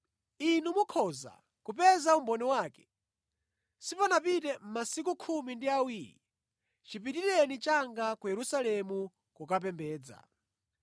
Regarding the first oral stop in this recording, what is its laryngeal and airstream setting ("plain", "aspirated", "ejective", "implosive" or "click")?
aspirated